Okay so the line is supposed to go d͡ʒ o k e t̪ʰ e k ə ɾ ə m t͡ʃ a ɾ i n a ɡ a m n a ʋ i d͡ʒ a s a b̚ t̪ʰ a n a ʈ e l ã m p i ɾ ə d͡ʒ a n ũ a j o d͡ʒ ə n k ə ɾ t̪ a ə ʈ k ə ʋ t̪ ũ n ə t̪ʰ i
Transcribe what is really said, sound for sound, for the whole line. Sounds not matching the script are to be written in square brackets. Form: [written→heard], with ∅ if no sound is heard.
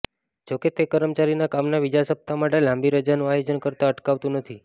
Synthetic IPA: d͡ʒ o k e [t̪ʰ→t̪] e k ə ɾ ə m t͡ʃ a ɾ i n a [ɡ→k] a m n a ʋ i d͡ʒ a s [a→ə] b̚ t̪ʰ a [n→m] a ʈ e l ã m [p→b] i ɾ ə d͡ʒ a n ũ a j o d͡ʒ ə n k ə ɾ t̪ a ə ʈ k [ə→a] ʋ t̪ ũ n ə t̪ʰ i